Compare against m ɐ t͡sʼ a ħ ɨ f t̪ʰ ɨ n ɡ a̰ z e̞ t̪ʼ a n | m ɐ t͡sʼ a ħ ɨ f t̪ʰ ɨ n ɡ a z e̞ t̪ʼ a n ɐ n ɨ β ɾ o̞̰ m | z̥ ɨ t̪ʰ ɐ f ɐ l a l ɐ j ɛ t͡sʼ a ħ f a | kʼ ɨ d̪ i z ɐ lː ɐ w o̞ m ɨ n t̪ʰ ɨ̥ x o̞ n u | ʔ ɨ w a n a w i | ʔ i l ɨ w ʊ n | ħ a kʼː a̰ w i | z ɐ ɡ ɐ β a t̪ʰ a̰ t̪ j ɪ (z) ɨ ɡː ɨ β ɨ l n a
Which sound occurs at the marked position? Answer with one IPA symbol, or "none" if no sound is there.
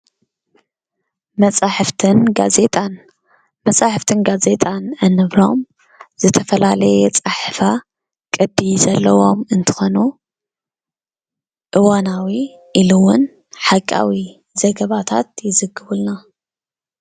z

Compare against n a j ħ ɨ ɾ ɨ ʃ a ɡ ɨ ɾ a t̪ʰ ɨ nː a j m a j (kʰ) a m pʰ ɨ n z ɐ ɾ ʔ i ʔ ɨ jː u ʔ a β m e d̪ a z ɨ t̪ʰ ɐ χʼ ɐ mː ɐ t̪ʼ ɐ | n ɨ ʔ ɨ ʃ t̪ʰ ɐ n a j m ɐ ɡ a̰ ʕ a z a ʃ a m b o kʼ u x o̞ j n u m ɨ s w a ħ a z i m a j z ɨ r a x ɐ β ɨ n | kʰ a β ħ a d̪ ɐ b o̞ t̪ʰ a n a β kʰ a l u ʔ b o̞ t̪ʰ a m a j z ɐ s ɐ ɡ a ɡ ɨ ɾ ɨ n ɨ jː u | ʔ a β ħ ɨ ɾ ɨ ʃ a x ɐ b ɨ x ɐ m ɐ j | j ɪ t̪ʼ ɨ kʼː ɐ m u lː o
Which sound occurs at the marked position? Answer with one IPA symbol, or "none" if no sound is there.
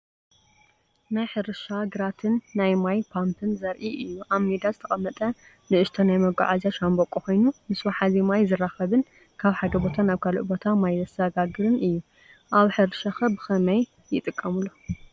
pʰ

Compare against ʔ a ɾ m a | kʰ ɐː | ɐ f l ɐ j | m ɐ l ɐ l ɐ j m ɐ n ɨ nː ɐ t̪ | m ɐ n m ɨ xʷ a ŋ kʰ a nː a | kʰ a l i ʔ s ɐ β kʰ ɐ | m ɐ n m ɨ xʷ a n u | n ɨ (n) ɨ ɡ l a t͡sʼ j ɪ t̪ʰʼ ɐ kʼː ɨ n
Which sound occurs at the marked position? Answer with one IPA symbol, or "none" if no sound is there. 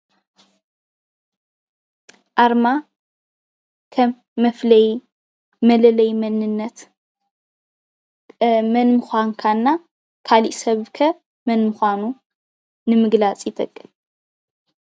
m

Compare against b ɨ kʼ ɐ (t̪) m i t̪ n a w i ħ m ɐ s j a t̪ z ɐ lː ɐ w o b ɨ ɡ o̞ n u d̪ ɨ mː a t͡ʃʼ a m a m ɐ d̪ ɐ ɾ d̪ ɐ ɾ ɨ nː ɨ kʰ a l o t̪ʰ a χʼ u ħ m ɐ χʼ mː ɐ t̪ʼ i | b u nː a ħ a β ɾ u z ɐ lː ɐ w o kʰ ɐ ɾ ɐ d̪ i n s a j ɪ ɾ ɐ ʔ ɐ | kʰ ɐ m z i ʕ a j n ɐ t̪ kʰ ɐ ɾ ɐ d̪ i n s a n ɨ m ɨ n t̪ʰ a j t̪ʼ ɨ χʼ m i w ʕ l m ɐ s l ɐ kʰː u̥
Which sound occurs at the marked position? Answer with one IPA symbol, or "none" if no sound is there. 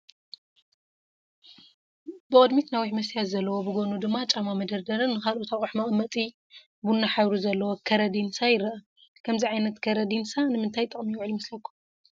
d̪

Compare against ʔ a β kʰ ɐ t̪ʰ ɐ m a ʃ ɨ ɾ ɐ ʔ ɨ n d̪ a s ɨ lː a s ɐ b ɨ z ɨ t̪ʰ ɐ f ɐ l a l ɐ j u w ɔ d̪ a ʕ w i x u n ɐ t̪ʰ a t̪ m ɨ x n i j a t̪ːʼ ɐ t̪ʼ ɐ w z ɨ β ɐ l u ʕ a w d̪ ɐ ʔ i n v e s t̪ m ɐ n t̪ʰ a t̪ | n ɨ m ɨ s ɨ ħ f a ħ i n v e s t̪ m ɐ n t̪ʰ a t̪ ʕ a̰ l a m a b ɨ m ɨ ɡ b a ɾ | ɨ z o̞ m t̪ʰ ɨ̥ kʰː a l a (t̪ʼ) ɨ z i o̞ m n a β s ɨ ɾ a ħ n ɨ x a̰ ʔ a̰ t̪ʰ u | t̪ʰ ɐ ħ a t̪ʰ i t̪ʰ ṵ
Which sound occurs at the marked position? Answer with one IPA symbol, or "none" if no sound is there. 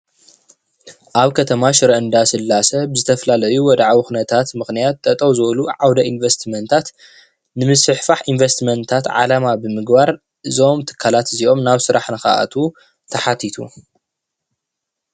t̪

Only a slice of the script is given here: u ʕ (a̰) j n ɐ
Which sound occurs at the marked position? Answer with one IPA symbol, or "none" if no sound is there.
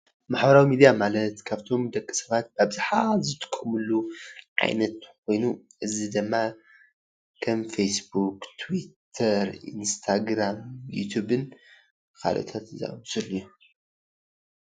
a̰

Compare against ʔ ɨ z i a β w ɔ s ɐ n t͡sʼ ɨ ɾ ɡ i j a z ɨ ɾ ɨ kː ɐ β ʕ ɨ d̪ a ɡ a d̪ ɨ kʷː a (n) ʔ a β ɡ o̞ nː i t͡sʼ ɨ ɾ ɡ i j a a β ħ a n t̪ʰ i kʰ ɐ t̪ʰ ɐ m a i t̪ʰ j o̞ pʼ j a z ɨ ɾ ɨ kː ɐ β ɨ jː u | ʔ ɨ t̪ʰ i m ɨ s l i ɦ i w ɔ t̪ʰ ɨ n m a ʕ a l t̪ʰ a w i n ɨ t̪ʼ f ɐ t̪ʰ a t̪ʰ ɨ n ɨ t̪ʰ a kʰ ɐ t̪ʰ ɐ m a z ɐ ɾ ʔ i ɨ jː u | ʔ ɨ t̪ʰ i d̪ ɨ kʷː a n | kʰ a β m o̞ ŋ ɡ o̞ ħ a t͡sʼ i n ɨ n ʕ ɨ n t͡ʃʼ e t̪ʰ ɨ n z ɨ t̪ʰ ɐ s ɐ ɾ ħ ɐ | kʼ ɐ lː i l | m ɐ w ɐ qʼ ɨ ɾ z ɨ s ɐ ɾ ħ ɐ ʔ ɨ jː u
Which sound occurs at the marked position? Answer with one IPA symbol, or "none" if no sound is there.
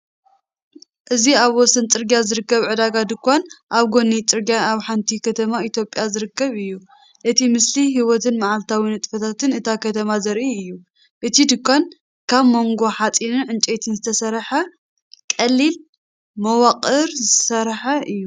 n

